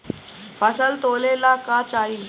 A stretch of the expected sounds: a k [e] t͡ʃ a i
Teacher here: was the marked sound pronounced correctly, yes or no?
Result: no